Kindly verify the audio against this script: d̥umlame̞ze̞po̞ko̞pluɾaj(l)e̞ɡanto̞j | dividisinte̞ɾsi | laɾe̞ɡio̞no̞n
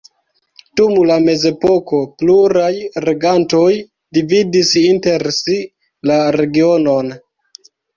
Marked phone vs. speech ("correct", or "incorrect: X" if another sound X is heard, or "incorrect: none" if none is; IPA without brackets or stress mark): incorrect: ɾ